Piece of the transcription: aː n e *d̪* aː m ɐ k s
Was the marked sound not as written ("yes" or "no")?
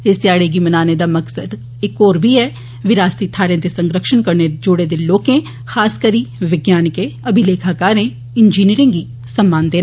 no